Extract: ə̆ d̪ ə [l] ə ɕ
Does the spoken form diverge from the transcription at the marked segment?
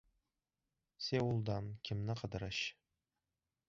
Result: yes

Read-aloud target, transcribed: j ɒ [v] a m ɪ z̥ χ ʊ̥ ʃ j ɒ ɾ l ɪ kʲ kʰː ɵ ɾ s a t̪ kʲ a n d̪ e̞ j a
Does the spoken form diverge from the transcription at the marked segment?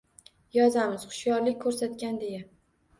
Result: yes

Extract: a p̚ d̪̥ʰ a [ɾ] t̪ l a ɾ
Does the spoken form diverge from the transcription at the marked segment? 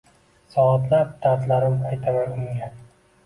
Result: no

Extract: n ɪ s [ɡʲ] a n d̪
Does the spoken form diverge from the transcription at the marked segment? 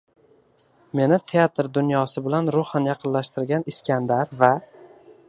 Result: yes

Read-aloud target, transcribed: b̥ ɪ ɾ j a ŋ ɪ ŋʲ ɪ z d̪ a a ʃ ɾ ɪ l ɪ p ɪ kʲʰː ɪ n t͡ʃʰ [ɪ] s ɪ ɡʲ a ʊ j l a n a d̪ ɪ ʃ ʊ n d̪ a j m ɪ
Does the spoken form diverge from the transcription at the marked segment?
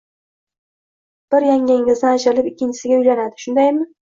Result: no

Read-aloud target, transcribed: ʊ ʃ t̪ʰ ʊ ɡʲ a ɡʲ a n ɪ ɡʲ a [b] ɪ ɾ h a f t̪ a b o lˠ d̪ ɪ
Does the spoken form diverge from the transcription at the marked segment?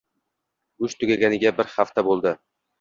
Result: no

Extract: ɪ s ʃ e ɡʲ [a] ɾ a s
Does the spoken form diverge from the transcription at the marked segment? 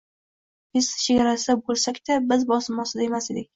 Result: no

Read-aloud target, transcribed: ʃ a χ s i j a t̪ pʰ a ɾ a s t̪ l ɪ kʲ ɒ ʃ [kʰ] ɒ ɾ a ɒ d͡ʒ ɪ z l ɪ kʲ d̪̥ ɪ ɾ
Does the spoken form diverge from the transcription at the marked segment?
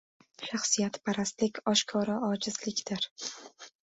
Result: no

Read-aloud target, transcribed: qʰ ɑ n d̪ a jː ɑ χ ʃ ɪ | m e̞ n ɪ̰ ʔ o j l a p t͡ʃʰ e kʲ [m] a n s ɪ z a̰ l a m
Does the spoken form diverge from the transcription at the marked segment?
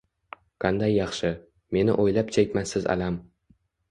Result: no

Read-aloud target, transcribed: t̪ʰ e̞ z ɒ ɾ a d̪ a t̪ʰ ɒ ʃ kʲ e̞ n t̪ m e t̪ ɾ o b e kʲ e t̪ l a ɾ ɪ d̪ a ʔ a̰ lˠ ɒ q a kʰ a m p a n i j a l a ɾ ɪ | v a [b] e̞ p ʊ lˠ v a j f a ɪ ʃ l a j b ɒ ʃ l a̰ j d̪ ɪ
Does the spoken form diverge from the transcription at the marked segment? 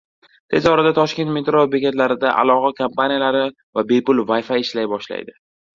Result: no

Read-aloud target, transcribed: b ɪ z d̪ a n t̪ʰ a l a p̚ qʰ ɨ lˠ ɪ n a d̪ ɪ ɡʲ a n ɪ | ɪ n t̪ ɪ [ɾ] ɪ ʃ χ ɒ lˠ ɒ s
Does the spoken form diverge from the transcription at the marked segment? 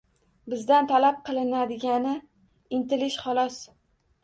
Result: yes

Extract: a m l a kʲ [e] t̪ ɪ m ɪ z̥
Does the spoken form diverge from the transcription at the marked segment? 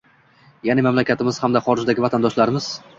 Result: yes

